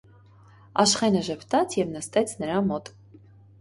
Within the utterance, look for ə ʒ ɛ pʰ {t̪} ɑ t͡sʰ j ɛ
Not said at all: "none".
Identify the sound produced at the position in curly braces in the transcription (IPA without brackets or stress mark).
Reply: t̪